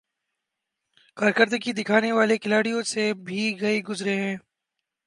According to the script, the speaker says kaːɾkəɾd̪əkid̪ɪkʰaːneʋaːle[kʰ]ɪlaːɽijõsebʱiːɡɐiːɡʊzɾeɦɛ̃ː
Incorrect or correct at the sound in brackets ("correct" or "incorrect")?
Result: incorrect